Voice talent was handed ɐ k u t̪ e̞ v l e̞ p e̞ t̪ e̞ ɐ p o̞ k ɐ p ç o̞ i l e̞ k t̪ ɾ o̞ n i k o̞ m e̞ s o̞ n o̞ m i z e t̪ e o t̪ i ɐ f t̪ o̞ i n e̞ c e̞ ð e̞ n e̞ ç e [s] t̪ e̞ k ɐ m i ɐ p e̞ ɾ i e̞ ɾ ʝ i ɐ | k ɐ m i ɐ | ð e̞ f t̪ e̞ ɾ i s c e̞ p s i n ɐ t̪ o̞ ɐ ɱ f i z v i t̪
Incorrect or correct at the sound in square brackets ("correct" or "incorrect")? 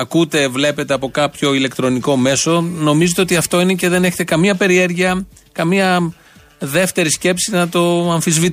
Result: incorrect